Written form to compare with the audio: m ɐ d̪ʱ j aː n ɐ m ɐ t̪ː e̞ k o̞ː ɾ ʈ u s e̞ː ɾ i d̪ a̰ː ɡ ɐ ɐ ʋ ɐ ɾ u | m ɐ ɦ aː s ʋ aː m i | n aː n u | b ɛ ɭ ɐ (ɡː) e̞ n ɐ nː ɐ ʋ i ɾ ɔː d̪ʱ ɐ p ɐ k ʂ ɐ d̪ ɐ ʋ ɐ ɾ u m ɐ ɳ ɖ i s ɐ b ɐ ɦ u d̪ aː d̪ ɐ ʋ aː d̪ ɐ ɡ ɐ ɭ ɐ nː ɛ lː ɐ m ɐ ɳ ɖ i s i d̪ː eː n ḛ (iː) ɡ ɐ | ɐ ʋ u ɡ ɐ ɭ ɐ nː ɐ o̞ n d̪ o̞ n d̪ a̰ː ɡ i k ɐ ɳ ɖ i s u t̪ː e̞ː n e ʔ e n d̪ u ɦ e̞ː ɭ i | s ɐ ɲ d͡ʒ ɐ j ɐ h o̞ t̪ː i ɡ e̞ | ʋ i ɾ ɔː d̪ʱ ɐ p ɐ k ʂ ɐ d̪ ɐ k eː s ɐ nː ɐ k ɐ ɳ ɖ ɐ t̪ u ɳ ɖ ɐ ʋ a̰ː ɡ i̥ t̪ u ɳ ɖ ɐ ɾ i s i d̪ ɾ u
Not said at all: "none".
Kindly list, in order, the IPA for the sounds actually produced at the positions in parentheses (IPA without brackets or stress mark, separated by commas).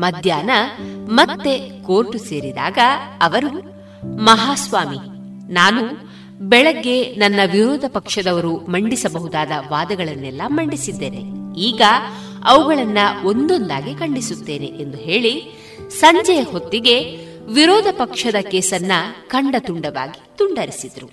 ɡː, iː